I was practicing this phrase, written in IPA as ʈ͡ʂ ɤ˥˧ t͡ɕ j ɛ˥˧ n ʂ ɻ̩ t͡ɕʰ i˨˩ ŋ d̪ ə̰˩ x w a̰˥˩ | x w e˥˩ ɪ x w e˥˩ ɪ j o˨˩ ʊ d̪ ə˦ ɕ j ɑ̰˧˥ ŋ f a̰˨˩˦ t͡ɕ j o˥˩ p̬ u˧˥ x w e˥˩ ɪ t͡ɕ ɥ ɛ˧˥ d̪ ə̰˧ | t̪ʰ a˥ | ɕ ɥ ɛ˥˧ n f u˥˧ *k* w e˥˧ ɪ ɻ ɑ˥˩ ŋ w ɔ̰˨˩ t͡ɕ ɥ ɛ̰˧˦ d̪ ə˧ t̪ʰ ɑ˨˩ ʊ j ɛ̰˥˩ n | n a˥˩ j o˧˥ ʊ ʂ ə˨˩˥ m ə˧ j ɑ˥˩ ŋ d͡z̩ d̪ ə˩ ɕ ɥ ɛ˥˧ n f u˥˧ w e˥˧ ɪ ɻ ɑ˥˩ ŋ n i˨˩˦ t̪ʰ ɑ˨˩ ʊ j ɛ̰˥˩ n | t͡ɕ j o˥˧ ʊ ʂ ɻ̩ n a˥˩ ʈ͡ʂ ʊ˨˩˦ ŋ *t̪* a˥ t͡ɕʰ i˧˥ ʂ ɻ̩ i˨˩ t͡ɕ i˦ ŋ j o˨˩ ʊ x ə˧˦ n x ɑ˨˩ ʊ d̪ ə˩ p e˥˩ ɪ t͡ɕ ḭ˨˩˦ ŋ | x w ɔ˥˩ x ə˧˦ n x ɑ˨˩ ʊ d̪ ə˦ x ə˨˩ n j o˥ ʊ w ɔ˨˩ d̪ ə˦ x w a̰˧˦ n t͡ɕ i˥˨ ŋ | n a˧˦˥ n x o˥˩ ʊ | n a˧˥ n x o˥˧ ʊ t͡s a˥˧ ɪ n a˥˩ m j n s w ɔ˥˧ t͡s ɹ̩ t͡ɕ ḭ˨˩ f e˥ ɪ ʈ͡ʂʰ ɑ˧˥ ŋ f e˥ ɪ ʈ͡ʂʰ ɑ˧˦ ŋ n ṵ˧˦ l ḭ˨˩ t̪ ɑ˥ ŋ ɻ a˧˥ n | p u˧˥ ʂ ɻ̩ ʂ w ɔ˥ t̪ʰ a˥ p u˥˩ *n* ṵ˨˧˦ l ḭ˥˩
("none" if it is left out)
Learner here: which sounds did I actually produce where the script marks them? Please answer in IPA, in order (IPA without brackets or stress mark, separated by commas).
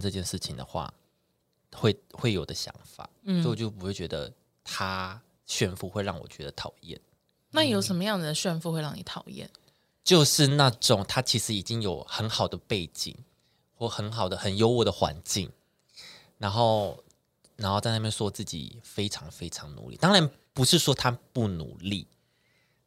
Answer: x, t̪ʰ, n